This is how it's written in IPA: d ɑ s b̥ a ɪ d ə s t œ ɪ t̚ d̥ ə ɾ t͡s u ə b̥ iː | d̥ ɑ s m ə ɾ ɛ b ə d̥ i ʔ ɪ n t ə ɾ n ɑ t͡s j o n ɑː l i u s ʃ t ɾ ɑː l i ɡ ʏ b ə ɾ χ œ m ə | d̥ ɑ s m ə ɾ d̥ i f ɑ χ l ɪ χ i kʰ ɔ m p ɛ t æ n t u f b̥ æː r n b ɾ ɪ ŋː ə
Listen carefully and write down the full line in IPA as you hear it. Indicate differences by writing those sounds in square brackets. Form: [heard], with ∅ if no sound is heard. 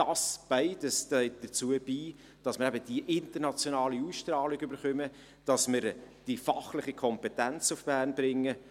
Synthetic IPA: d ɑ s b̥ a ɪ d ə s t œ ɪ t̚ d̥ ə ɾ t͡s u ə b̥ iː | d̥ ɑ s m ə ɾ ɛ b ə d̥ i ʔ ɪ n t ə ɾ n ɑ t͡s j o n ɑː l i u s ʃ t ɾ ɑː l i ɡ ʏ b ə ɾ χ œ m ə | d̥ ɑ s m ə ɾ d̥ i f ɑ χ l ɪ χ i kʰ ɔ m p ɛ t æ n [t͡s] u f b̥ æː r n b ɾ ɪ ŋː ə

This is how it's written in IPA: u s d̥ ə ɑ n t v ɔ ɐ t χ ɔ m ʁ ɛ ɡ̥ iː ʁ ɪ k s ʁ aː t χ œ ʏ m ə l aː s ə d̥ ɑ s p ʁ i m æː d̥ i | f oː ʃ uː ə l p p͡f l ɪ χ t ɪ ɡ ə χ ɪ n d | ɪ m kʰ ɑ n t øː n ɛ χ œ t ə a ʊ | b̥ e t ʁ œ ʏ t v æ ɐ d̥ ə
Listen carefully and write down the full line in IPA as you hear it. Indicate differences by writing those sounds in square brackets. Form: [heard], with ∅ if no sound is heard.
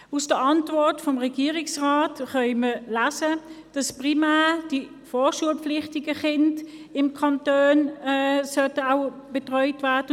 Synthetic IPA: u s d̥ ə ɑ n t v ɔ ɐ t [f] ɔ m ʁ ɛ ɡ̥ iː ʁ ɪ k s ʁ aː t χ œ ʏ m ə l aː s ə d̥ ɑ s p ʁ i m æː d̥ i | f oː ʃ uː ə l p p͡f l ɪ χ t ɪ ɡ ə χ ɪ n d | ɪ m kʰ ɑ n t øː n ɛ [s] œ t ə a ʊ | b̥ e t ʁ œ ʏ t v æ ɐ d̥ ə

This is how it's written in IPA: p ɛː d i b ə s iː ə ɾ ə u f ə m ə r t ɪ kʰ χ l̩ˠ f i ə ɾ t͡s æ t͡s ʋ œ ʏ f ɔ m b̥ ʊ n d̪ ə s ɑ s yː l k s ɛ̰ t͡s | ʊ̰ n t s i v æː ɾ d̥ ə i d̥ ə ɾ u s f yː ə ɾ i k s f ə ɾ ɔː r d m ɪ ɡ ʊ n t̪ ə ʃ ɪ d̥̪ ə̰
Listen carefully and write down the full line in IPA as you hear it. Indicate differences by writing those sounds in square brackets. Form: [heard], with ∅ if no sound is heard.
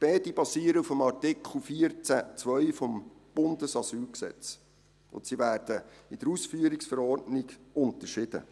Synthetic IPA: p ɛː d i b [ɑ] s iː ə ɾ ə u f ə m [ɑ] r t ɪ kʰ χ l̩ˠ f i ə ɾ t͡s æ t͡s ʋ œ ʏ f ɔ m b̥ ʊ n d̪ ə s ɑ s yː l k s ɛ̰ t͡s | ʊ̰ n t s i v æː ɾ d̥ ə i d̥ ə ɾ u s f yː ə ɾ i k s f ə ɾ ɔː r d [n] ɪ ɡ ʊ n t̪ ə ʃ ɪ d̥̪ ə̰

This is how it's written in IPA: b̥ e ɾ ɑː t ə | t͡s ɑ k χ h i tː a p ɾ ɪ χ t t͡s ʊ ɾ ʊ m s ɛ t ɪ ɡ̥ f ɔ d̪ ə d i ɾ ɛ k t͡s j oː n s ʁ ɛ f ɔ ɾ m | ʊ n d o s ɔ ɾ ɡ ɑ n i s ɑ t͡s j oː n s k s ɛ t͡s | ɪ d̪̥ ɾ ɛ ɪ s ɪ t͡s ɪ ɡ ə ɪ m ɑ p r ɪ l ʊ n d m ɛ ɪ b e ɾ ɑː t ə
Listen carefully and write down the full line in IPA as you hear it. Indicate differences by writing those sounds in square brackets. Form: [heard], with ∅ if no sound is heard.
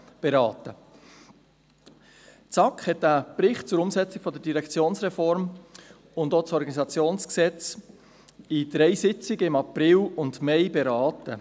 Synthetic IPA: b̥ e ɾ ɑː t ə | t͡s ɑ k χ h [ɛ] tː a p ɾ ɪ χ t t͡s ʊ ɾ ʊ m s ɛ [t͡s] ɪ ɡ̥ f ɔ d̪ ə d i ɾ ɛ k t͡s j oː n s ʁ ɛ f ɔ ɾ m | ʊ n d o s ɔ ɾ ɡ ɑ n i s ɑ t͡s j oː n s k s ɛ t͡s | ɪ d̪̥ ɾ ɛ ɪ s ɪ t͡s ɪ ɡ ə ɪ m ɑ p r ɪ l ʊ n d m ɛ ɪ b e ɾ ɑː t ə

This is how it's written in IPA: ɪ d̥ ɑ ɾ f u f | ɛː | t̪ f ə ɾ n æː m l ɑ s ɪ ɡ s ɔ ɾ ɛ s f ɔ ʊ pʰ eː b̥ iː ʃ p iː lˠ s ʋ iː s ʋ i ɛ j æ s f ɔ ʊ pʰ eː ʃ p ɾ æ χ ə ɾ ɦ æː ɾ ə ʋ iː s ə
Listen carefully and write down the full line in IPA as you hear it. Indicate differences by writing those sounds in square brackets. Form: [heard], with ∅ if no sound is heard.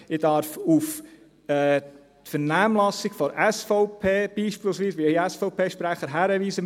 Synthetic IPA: ɪ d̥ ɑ ɾ f u f | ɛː | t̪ f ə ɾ n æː m l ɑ s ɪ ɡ [f] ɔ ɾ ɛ s f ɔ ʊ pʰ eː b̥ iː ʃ p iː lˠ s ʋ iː s ʋ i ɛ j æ s f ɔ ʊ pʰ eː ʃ p ɾ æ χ ə ɾ ɦ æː ɾ ə ʋ iː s ə

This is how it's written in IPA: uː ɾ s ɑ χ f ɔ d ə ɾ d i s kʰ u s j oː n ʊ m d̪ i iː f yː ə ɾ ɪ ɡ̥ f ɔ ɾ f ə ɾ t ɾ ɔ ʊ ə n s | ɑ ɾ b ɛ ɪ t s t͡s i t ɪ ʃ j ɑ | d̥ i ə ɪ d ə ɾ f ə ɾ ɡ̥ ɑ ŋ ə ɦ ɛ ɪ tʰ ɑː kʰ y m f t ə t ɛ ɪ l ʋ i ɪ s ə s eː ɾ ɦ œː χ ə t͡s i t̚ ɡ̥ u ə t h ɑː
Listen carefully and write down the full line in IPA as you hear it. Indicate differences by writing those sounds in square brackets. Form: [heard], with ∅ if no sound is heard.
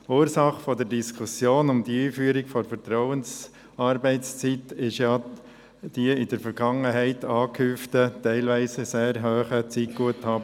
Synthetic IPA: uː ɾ s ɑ χ f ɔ d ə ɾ d i s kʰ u s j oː n ʊ m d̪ i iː f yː ə ɾ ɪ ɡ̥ f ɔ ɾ f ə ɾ t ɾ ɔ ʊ ə n s | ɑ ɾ b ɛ ɪ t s t͡s i t ɪ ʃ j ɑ | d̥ i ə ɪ d ə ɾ f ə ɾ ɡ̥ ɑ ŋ ə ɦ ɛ ɪ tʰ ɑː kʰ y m f t ə t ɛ ɪ l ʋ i ɪ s ə s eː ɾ ɦ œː χ ə t͡s i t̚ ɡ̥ u ə t h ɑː

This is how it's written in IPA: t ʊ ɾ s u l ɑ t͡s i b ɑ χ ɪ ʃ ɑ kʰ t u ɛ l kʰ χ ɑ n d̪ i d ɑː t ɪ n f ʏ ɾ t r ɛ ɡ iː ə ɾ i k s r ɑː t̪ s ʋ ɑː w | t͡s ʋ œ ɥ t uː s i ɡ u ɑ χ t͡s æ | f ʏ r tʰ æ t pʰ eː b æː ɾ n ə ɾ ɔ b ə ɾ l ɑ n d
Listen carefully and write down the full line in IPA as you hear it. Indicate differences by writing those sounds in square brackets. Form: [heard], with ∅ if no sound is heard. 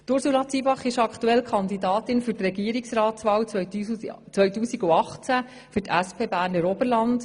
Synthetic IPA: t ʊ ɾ s u l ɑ t͡s i b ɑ χ ɪ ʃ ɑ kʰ t u ɛ l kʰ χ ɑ n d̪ i d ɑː t ɪ n f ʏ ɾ t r ɛ ɡ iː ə ɾ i k s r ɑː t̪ s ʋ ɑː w | t͡s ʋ œ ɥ t uː s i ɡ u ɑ χ t͡s æ | f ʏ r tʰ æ [s] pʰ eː b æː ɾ n ə ɾ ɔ b ə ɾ l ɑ n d

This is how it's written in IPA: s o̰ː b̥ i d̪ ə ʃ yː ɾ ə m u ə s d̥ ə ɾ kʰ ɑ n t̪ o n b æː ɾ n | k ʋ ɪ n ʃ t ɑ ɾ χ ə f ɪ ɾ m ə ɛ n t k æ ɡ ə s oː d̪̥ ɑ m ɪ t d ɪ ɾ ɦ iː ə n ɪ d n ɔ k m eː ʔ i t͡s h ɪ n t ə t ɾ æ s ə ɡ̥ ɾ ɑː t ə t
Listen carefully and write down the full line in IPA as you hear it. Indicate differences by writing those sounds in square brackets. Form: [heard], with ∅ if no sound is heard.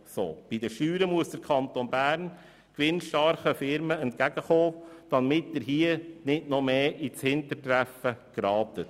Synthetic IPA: s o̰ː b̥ i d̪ ə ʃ yː ɾ ə m u ə s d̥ ə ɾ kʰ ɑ n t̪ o n b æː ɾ n | k ʋ ɪ n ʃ t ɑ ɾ χ ə f ɪ ɾ m ə ɛ n t k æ ɡ ə [χ] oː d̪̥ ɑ m ɪ t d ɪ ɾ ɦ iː ə n ɪ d n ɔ [∅] m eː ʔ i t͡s h ɪ n t ə t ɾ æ [f] ə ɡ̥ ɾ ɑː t ə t

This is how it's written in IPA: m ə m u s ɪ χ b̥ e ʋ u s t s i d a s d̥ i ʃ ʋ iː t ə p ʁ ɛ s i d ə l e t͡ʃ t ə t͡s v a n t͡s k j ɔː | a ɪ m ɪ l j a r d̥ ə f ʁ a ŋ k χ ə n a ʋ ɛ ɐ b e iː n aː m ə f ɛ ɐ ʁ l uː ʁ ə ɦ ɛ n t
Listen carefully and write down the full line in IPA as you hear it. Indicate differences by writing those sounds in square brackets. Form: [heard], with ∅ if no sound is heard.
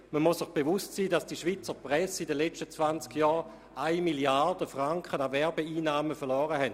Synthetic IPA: m ə m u s ɪ χ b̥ e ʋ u s t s [iː] d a s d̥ i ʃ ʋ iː [t͡s] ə p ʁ ɛ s i d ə l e t͡ʃ t ə t͡s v a n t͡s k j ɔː | a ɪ m [i] l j a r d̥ ə f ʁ a ŋ k χ ə n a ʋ ɛ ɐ b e iː n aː m ə f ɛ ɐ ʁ l [ɔː] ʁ ə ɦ ɛ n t

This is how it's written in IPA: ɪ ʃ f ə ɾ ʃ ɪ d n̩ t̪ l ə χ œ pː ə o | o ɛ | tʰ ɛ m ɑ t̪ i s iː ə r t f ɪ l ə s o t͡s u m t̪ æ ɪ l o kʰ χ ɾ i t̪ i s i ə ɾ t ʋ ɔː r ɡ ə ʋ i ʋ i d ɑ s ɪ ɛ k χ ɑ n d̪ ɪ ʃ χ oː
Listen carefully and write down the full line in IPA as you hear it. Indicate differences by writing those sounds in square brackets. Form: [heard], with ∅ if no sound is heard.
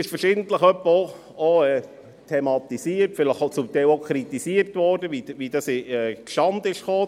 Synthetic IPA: ɪ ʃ f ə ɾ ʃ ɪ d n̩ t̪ l ə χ œ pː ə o | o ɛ | tʰ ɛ m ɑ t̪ i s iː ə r t f ɪ l ə [χ] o t͡s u m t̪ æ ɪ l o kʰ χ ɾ i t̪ i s i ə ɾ t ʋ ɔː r [d] ə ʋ i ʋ i d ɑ s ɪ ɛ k [ʃ] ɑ n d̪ ɪ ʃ χ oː

